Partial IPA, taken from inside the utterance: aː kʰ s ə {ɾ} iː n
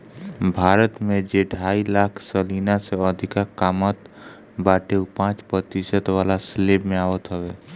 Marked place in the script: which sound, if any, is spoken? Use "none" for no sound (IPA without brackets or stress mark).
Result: l